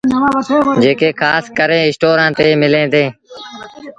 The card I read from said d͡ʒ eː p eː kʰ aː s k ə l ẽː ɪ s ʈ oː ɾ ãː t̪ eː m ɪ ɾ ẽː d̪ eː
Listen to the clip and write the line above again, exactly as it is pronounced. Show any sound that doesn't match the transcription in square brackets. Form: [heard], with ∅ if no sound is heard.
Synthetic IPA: d͡ʒ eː [k] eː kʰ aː s k ə [ɾ] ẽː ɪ s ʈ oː ɾ ãː t̪ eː m ɪ [l] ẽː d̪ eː